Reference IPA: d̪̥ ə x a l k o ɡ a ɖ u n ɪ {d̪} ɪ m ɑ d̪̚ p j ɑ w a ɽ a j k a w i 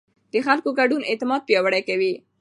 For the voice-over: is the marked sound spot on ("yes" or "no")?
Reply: no